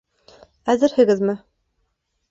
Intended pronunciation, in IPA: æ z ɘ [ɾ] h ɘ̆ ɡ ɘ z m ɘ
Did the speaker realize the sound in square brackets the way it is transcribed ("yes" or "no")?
yes